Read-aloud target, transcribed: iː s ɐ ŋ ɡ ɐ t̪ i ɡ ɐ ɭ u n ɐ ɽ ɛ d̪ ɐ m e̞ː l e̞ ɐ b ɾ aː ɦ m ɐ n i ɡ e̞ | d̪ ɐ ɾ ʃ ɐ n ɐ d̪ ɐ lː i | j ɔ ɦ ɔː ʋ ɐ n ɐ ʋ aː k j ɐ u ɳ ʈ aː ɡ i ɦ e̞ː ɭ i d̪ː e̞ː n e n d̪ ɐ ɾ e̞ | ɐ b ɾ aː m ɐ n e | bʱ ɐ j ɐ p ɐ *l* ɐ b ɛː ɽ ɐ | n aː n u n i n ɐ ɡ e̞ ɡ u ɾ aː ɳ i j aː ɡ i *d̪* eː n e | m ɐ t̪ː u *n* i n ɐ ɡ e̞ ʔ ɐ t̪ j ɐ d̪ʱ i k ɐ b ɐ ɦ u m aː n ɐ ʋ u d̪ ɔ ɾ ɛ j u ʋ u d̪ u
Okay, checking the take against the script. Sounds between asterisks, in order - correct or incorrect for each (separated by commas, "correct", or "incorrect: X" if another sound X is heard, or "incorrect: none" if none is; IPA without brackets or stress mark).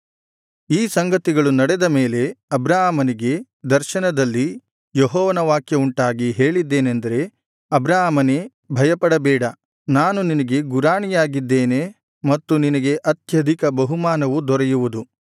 incorrect: ɽ, incorrect: d̪ː, correct